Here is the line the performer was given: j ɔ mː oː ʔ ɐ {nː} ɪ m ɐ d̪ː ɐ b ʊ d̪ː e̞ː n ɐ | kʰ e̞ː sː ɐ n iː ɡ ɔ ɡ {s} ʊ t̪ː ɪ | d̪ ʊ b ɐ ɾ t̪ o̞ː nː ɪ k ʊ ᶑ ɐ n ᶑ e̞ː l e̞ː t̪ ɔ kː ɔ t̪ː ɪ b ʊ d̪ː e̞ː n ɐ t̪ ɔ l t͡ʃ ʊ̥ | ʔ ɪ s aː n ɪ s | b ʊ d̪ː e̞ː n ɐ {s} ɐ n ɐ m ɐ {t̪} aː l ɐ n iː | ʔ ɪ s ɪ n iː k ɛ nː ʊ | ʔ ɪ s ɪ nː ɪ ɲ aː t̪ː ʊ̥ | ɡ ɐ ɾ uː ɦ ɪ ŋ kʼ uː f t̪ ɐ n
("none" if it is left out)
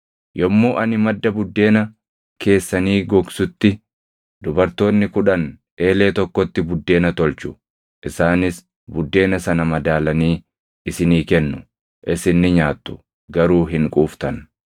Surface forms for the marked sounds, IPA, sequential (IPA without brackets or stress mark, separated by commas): n, s, s, d̪